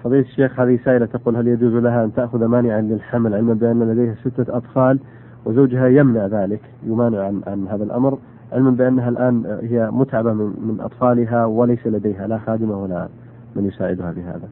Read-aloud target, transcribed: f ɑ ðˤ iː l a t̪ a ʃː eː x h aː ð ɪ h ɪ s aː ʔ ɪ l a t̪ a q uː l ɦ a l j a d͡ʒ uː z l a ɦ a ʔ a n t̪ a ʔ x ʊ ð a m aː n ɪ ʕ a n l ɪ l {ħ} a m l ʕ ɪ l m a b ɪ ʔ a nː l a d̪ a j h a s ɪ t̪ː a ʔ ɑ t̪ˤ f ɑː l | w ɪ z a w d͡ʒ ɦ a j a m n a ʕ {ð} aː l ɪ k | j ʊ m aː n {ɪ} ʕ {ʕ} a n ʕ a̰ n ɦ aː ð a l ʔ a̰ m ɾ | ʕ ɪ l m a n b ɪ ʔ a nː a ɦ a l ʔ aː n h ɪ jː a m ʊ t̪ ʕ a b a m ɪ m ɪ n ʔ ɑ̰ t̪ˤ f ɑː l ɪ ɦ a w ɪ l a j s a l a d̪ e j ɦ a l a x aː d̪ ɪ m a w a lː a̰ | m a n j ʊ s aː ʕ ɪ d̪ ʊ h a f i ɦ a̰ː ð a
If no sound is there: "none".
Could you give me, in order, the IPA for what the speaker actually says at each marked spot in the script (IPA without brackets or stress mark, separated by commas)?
ħ, ð, ɪ, ʕ